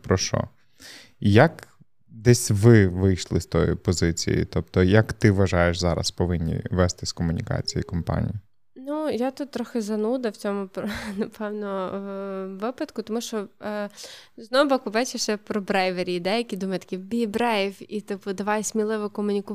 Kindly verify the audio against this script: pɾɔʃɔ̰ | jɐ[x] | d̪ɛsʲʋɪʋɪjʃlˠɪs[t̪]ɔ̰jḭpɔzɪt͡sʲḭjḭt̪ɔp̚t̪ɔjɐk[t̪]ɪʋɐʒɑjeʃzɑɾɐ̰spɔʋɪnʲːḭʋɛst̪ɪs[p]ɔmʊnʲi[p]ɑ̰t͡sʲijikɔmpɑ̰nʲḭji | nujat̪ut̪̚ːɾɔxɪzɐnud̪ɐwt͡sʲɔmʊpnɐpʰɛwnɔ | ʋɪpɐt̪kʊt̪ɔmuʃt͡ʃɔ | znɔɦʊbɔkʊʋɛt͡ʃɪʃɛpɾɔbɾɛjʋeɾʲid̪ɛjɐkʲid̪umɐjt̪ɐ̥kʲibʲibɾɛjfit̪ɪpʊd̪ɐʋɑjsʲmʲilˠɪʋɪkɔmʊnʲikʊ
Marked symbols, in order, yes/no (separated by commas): no, yes, yes, no, no